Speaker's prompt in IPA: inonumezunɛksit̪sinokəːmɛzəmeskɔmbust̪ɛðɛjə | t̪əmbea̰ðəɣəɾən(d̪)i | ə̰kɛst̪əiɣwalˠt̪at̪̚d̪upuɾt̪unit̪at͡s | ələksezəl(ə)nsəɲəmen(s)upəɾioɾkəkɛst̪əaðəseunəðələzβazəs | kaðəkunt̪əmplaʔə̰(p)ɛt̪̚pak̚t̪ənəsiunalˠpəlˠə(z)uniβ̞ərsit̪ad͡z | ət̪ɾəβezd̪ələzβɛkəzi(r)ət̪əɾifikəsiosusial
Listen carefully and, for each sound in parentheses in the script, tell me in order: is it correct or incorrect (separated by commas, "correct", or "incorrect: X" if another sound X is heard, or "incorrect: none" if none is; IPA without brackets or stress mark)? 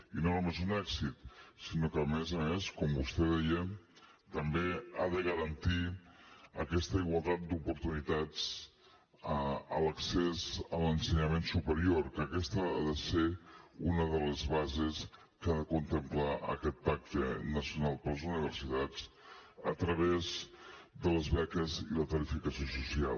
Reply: incorrect: t̪, correct, correct, incorrect: k, correct, incorrect: l